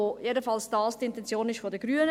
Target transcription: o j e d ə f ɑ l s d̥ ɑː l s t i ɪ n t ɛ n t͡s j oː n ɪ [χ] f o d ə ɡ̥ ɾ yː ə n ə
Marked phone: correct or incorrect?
incorrect